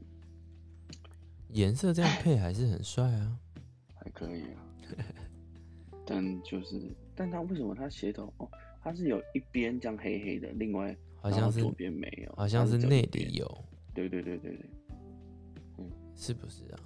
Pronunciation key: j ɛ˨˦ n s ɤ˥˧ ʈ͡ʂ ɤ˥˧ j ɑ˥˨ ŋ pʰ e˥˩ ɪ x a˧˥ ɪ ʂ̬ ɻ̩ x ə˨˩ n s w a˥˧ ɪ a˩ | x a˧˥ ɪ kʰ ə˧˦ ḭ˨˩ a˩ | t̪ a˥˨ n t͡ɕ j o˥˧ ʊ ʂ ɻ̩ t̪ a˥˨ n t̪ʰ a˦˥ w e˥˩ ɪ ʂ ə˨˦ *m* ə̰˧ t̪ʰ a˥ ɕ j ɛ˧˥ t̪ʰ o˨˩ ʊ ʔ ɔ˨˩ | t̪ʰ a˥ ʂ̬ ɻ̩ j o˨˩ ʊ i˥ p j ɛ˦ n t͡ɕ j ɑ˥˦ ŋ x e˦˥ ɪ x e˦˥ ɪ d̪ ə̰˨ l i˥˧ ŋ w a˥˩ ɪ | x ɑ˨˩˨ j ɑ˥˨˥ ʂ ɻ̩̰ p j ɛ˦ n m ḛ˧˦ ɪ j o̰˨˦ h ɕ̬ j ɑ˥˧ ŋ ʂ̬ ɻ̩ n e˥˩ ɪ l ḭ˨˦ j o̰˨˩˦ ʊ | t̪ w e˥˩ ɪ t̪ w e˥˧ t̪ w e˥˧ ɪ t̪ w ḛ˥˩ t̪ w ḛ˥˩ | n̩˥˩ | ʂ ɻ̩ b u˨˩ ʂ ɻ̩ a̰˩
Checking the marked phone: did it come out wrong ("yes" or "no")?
no